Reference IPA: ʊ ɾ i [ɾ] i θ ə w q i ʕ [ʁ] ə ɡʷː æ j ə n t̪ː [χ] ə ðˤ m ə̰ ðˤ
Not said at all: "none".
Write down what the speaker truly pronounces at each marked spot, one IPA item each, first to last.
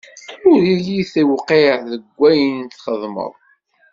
l, ð, χ

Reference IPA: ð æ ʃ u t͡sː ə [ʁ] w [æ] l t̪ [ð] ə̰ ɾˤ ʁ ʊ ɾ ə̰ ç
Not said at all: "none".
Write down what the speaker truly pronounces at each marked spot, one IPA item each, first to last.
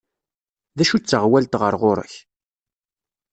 ʁ, æ, ʁ

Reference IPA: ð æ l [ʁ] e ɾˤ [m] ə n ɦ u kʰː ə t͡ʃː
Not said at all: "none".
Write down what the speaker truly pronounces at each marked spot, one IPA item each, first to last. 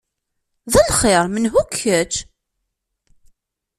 χ, m

